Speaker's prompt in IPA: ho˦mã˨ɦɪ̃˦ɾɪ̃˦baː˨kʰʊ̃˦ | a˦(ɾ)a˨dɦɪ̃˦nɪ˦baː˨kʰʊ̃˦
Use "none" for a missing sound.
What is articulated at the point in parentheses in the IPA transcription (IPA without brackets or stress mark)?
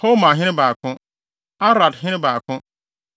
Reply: ɾ